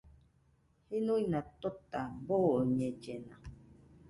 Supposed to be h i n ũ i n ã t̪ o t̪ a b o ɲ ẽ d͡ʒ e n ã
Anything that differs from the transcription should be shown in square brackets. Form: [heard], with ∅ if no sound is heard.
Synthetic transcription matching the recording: h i n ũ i n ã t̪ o t̪ a b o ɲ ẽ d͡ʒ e n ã